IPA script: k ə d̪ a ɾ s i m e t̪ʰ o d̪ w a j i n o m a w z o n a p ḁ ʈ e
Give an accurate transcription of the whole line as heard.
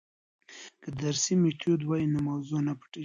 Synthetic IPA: k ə d̪ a ɾ s i m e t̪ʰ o d̪ w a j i n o m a w z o n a p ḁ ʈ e